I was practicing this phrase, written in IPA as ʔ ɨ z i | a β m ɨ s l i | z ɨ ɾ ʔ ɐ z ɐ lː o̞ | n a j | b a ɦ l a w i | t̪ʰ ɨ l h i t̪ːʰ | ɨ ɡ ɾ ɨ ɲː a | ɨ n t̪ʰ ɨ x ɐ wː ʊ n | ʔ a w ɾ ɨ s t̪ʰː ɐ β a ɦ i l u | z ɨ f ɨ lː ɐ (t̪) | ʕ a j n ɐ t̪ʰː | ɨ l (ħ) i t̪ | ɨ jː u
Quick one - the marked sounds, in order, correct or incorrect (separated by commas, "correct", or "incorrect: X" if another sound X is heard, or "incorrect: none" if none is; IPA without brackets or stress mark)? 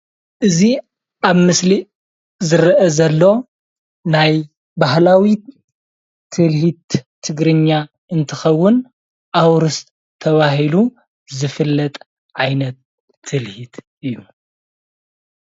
incorrect: t̪ʼ, incorrect: h